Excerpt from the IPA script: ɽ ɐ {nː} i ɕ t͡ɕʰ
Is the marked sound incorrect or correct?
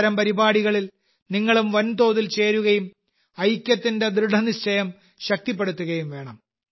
incorrect: n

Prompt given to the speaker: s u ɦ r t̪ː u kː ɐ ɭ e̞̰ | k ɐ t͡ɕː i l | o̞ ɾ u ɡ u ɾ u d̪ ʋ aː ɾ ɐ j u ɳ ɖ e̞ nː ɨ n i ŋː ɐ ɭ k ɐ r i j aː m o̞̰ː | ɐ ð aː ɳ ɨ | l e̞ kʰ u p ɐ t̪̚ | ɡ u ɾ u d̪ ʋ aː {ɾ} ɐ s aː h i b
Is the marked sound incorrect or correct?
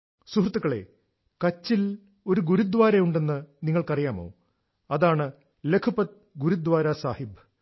correct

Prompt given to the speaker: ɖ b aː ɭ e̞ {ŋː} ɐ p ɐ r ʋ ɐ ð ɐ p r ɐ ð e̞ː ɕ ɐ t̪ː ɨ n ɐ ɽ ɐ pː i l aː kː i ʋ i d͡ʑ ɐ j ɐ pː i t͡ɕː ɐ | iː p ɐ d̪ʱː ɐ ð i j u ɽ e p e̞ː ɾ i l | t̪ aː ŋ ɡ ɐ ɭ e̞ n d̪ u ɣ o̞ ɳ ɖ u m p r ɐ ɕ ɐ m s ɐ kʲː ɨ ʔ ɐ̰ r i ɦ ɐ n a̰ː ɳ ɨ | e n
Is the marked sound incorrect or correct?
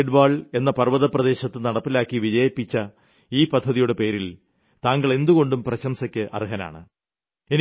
incorrect: nː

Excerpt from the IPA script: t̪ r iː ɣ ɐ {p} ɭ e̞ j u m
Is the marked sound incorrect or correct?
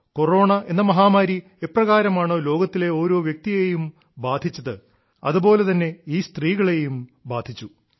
incorrect: none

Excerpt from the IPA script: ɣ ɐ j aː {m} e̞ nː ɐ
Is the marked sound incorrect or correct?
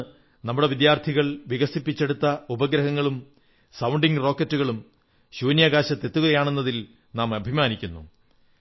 incorrect: ɳ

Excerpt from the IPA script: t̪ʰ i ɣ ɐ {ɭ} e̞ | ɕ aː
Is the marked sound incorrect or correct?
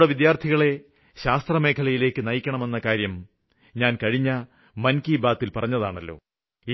correct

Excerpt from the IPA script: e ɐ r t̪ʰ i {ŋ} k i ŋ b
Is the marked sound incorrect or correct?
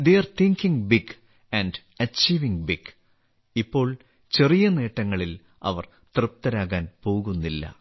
correct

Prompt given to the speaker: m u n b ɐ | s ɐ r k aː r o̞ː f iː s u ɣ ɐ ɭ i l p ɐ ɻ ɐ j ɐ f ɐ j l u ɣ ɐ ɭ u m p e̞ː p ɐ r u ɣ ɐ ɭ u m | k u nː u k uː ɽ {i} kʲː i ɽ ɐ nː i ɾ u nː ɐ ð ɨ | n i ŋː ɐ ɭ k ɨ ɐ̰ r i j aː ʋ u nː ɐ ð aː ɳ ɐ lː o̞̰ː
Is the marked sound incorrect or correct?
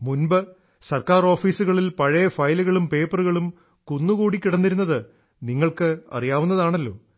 correct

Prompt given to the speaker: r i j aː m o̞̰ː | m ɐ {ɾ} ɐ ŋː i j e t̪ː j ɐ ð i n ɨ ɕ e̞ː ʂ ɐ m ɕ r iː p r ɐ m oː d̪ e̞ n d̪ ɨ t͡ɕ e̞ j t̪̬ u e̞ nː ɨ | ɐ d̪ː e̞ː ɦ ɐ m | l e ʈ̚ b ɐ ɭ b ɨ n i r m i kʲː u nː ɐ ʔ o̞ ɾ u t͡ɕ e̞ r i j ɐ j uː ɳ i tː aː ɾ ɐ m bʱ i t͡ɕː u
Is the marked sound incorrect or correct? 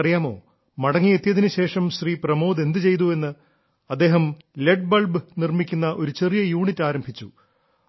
incorrect: ɽ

